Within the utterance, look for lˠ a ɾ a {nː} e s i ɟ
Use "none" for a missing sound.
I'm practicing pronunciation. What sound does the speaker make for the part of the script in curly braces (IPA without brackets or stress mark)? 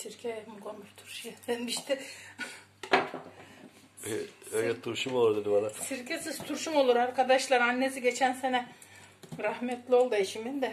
nː